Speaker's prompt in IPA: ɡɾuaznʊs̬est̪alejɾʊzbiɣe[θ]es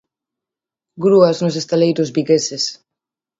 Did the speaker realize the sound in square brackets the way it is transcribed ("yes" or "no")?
no